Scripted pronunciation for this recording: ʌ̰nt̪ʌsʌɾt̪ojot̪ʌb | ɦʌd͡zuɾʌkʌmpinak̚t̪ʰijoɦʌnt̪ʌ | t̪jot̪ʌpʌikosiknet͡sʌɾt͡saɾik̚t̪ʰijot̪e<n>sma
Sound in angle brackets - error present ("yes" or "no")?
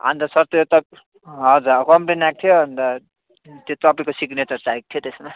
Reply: yes